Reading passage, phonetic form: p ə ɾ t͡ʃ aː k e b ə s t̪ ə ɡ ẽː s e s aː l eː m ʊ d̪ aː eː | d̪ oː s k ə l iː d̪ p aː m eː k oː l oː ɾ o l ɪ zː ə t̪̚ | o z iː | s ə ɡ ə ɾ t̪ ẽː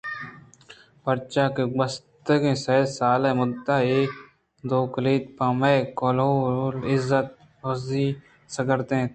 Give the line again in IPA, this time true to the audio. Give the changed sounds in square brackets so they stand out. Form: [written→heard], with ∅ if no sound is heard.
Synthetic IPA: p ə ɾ t͡ʃ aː k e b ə s t̪ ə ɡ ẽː s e s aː l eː m ʊ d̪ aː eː | d̪ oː [s→∅] k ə l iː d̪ p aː m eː k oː l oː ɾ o l ɪ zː ə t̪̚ | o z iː | s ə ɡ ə ɾ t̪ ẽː